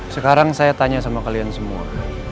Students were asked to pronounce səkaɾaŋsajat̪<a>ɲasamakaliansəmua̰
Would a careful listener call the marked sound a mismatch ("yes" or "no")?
no